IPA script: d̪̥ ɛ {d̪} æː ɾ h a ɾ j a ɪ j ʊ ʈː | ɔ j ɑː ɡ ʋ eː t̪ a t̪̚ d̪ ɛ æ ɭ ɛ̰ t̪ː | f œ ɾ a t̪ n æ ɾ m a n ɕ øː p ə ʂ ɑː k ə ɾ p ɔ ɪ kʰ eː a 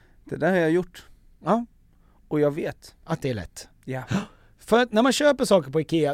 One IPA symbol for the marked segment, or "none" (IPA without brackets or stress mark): d̪